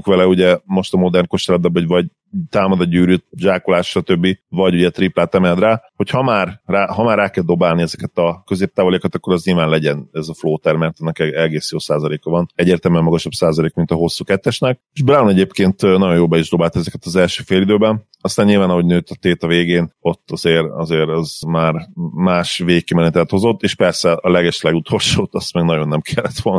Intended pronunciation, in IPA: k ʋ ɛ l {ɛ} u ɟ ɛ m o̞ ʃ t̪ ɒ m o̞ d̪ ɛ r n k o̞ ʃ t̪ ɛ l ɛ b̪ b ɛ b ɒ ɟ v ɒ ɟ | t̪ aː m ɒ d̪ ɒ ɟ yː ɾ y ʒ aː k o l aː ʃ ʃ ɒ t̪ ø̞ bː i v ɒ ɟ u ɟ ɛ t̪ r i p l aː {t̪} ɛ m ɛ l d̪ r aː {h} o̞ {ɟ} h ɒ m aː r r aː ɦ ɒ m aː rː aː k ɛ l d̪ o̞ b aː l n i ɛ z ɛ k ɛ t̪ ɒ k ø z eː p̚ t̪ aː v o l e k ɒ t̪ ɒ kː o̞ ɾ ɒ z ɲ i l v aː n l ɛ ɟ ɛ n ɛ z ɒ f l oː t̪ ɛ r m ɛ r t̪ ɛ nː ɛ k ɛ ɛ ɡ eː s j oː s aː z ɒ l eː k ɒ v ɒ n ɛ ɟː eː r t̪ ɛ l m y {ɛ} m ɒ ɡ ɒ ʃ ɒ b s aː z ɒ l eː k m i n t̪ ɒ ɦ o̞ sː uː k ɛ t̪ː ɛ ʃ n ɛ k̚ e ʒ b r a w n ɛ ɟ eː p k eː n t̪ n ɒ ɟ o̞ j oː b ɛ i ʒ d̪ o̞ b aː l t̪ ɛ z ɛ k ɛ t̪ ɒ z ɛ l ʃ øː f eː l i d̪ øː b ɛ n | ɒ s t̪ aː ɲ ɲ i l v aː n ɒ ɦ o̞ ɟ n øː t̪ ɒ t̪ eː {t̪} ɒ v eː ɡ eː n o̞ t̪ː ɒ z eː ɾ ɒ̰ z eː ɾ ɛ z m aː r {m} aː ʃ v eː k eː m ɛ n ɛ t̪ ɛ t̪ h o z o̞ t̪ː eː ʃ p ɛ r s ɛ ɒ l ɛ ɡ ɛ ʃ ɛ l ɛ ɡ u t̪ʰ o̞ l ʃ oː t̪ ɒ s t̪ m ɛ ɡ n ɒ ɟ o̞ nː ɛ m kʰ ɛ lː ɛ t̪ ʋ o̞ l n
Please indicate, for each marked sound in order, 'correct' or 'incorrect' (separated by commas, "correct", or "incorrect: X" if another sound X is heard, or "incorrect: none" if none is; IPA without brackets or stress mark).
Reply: correct, correct, correct, incorrect: c, correct, correct, correct